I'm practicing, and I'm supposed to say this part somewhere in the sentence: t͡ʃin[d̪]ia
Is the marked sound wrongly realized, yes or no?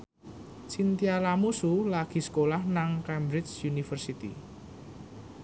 yes